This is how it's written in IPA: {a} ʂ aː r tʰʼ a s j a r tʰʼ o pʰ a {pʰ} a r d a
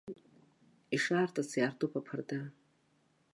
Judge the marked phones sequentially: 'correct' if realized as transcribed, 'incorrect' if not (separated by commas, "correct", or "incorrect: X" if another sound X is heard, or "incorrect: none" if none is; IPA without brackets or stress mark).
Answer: incorrect: i, correct